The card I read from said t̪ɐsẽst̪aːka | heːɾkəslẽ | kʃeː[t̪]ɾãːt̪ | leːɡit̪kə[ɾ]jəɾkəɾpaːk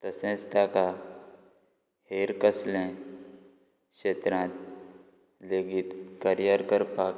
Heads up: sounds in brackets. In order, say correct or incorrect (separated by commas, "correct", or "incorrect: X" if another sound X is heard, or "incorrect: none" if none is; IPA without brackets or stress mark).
correct, correct